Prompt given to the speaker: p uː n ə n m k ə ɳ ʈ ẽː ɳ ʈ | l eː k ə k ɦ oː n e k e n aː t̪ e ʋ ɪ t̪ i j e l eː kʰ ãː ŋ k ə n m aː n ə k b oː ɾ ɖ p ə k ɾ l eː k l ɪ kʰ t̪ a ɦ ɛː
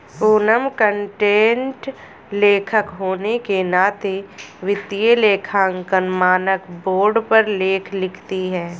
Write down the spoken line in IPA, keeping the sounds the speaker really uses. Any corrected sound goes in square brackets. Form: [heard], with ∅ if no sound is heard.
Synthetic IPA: p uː n ə [∅] m k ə ɳ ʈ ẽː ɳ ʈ | l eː [kʰ] ə k ɦ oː n e k e n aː t̪ e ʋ ɪ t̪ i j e l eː kʰ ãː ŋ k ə n m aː n ə k b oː ɾ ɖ p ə [∅] ɾ l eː [kʰ] l ɪ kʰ t̪ [i] ɦ ɛː